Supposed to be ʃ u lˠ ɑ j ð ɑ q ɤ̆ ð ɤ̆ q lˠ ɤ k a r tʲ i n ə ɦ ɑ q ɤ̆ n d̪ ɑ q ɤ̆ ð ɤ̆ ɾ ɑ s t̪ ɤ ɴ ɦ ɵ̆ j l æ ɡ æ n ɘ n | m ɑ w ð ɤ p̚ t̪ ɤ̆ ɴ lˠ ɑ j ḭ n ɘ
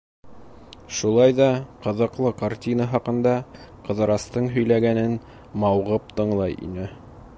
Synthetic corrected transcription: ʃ u lˠ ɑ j ð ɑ q ɤ̆ ð ɤ̆ q lˠ ɤ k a r tʲ i n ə ɦ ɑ q ɤ̆ n d̪ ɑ q ɤ̆ ð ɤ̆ ɾ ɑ s t̪ ɤ ɴ ɦ ɵ̆ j l æ ɡ æ n ɘ n | m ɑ w ʁ ɤ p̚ t̪ ɤ̆ ɴ lˠ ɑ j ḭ n ɘ